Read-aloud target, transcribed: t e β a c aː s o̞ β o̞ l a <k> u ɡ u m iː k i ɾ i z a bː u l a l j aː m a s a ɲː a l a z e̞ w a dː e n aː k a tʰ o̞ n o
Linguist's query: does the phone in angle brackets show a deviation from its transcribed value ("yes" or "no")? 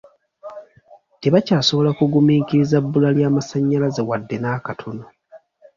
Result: no